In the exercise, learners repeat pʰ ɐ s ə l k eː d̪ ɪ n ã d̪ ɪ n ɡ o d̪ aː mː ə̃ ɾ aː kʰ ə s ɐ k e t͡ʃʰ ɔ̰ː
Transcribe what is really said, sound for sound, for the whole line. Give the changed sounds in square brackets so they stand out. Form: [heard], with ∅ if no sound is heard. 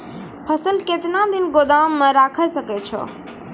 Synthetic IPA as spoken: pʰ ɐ s ə l k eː [t̪] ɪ n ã d̪ ɪ n ɡ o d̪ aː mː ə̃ ɾ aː kʰ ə s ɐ k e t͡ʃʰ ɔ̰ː

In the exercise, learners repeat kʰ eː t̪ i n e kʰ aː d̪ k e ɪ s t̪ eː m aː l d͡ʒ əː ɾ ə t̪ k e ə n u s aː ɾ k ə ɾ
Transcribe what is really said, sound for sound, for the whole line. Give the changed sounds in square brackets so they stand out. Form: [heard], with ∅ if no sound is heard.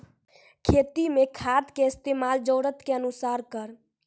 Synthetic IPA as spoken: kʰ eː t̪ i [m] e kʰ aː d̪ k e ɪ s t̪ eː m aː l d͡ʒ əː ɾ ə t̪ k e ə n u s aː ɾ k ə ɾ

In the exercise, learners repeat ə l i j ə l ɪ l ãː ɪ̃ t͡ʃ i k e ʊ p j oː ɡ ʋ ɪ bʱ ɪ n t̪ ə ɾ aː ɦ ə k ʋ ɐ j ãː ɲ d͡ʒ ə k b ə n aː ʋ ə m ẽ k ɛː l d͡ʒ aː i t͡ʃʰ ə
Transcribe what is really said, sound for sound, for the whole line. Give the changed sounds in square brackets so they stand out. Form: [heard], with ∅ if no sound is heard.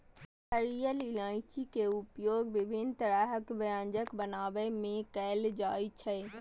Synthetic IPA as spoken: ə [ɾ] i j ə l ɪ l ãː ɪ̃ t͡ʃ i k e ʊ p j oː ɡ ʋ ɪ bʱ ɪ n t̪ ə ɾ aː ɦ ə k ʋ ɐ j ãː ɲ d͡ʒ ə k b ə n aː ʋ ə m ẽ k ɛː l d͡ʒ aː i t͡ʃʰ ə

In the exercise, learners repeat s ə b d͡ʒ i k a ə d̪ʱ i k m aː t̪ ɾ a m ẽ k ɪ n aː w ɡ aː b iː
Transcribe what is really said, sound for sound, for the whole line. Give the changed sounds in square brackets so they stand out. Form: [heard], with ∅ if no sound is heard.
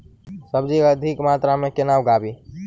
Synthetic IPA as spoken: s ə b d͡ʒ i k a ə d̪ʱ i k m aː t̪ ɾ a m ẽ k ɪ n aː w ɡ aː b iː

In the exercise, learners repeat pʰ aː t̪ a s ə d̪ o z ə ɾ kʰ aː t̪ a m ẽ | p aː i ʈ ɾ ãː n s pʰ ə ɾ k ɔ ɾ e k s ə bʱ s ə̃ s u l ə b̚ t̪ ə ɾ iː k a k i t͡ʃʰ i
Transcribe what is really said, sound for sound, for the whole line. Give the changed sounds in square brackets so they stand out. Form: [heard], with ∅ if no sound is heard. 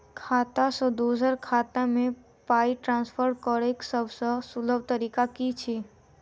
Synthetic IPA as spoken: [kʰ] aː t̪ a s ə d̪ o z ə ɾ kʰ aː t̪ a m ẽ | p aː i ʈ ɾ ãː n s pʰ ə ɾ k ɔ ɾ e k s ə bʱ s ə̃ s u l ə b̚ t̪ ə ɾ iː k a k i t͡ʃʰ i

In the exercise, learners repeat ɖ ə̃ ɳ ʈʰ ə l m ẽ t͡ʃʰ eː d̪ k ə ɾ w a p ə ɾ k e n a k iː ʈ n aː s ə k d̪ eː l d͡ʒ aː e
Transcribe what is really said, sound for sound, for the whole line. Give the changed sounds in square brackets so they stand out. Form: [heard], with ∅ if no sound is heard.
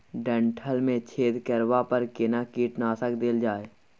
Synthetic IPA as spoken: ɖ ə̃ ɳ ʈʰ ə l m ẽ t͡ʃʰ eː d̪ k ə ɾ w a p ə ɾ k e n a k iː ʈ n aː s ə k d̪ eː l d͡ʒ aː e

